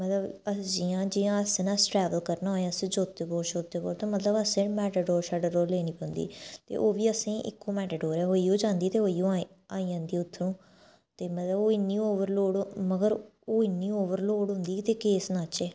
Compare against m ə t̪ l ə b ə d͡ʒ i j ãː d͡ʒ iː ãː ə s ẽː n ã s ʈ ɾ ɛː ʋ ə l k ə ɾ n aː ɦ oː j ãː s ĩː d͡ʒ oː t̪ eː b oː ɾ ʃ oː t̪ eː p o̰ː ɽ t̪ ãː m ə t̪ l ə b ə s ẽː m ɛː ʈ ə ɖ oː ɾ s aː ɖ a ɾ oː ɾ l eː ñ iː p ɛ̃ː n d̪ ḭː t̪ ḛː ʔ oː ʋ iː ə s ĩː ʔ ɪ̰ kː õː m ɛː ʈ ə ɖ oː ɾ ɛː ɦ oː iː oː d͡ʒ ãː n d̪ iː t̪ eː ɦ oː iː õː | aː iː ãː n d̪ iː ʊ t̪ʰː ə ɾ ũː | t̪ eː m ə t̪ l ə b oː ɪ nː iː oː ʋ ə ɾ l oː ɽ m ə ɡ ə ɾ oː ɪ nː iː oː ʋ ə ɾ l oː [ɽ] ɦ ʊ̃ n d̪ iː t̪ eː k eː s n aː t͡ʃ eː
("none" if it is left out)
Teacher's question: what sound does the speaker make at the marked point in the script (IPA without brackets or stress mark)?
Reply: ɽ